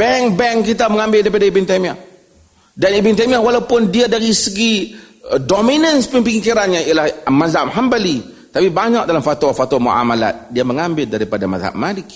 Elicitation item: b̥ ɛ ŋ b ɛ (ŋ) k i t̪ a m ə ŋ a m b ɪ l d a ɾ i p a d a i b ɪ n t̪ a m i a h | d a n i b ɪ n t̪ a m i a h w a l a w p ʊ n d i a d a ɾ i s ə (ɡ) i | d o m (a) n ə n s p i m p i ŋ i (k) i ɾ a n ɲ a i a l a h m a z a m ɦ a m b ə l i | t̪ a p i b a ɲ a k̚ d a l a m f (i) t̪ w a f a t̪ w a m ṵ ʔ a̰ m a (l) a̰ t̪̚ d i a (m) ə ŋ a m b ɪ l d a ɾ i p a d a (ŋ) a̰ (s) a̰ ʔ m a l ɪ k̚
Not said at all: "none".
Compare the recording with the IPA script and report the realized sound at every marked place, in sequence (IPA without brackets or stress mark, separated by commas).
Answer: ŋ, ɡ, i, k, a, l, m, m, z